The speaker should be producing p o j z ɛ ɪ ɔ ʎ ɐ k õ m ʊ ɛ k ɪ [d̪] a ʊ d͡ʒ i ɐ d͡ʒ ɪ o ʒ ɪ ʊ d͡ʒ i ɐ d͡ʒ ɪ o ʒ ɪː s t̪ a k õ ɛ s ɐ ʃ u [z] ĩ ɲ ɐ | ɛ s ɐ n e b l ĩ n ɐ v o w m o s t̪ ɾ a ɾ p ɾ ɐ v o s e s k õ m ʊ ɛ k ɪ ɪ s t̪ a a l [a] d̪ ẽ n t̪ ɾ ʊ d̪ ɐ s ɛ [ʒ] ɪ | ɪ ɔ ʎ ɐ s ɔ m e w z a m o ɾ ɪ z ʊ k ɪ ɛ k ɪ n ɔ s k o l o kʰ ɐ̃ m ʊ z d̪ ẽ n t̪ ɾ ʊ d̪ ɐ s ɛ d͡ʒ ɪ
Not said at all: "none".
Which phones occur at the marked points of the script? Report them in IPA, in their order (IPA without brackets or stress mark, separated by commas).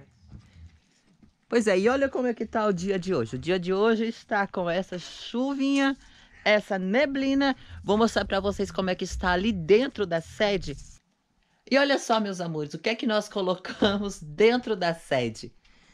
t̪, v, i, d͡ʒ